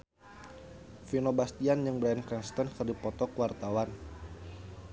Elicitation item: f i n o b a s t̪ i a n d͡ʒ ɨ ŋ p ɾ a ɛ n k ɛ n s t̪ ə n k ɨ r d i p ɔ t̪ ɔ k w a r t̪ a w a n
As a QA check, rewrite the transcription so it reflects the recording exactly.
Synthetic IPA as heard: f i n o b a s t̪ i a n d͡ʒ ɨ ŋ b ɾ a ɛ n k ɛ n s t̪ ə n k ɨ r d i p ɔ t̪ ɔ k w a r t̪ a w a n

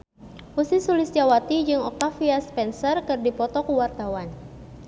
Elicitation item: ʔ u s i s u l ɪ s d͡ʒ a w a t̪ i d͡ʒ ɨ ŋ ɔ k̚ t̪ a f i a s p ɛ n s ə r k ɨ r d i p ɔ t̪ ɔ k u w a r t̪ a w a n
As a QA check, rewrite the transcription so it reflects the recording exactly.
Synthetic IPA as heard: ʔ u s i s u l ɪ s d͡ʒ a w a t̪ i d͡ʒ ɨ ŋ ɔ k̚ t̪ a f i a s p ɛ n s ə r k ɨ r d i p ɔ t̪ ɔ k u w a r t̪ a w a n

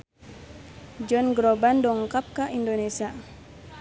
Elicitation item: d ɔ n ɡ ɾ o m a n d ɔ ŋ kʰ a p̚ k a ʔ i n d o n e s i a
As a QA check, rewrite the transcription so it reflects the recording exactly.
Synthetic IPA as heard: d͡ʒ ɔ n ɡ ɾ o b a n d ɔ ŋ k a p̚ k a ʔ i n d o n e s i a

